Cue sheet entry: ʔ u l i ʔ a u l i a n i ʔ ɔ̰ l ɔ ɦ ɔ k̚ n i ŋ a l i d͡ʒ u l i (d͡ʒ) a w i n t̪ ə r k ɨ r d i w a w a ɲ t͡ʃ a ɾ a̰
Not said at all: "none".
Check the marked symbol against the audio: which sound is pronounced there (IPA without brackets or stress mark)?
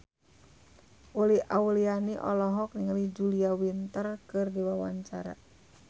none